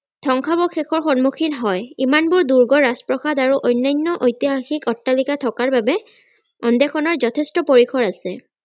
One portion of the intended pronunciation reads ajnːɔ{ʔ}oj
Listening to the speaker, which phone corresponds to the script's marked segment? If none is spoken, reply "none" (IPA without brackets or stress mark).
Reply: ʔ